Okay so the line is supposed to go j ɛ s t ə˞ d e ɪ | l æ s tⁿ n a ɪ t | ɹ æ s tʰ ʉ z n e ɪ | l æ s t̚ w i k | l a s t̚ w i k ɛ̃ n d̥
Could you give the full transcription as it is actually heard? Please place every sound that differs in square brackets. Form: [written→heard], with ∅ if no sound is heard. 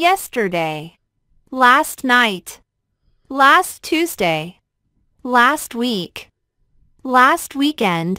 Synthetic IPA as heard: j ɛ s t ə˞ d e ɪ | l æ s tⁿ n a ɪ t | [ɹ→l] æ s tʰ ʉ z [n→d] e ɪ | l æ s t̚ w i k | l [a→æ] s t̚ w i k ɛ̃ n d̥